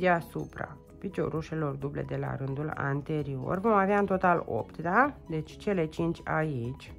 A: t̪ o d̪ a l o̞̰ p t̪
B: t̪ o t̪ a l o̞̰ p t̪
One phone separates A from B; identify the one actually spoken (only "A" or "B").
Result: B